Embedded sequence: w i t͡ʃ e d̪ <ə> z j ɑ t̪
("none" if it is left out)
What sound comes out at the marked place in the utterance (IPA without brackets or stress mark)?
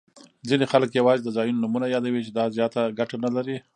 ɑ